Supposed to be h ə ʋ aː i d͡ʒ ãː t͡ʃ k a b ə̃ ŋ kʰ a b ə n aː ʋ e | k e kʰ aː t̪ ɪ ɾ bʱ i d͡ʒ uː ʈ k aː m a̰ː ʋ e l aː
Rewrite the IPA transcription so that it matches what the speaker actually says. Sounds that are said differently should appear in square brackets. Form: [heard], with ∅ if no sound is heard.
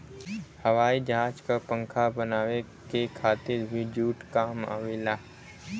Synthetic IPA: h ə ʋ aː i d͡ʒ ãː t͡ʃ k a [p] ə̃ ŋ kʰ a b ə n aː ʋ e | k e kʰ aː t̪ ɪ ɾ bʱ i d͡ʒ uː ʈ k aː m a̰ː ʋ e l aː